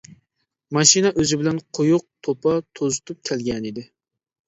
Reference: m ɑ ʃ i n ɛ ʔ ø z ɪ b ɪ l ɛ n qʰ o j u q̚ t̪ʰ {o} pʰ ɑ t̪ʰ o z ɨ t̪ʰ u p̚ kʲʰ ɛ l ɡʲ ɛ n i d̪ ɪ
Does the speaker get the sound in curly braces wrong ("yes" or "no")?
no